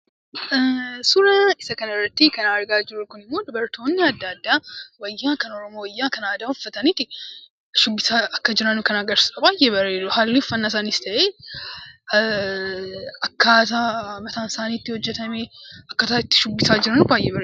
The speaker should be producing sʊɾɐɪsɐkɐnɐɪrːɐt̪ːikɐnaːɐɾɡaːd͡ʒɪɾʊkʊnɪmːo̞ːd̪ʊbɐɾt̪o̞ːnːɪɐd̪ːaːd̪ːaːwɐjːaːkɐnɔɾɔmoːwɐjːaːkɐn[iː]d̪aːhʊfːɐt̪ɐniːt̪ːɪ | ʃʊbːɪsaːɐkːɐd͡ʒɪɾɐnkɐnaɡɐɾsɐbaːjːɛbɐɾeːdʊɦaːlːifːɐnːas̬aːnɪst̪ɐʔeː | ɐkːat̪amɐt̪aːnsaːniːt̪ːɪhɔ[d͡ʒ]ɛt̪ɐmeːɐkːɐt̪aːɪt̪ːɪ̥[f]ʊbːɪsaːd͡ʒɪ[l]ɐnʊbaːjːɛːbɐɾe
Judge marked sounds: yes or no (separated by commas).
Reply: no, no, no, no